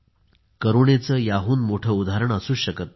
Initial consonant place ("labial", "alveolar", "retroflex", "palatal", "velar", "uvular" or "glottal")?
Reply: velar